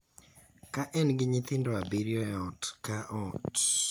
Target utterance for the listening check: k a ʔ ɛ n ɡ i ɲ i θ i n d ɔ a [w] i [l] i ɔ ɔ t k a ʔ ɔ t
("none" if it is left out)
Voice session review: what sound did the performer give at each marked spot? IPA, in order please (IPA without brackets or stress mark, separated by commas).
b, ɾ